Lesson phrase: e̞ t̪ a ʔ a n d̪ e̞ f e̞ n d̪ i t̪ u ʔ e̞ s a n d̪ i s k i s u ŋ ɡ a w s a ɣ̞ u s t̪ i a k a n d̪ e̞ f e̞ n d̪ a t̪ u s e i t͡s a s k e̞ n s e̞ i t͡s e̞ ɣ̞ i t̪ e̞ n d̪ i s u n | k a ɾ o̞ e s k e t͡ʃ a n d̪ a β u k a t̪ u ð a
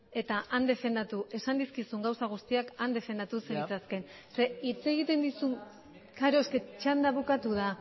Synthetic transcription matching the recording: e̞ t̪ a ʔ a n d̪ e̞ f e̞ n d̪ a t̪ u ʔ e̞ s a n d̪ i s k i s u ŋ ɡ a w s a ɣ̞ u s t̪ i a k a n d̪ e̞ f e̞ n d̪ a t̪ u s e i t͡s a s k e̞ n s e̞ i t͡s e̞ ɣ̞ i t̪ e̞ n d̪ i s u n | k a ɾ o̞ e s k e t͡ʃ a n d̪ a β u k a t̪ u ð a